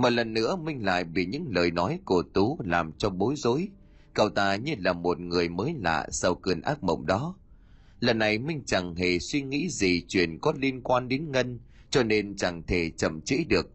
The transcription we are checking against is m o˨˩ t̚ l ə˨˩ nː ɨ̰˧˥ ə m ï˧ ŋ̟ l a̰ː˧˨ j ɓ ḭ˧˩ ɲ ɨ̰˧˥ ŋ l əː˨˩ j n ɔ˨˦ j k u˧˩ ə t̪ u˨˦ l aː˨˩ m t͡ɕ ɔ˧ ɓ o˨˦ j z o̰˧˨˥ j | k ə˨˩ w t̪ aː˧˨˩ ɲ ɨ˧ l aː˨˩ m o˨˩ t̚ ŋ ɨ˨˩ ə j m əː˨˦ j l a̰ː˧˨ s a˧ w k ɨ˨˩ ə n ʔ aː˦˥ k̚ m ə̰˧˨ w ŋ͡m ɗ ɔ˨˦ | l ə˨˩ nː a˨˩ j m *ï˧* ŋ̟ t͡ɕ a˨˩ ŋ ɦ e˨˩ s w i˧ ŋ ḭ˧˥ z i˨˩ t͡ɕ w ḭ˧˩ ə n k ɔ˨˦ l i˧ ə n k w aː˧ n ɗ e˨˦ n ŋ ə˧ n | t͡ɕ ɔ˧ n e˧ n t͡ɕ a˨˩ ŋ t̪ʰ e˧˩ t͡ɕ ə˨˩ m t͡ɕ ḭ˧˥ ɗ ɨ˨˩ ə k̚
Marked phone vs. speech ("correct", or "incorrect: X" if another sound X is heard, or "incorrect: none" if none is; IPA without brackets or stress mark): correct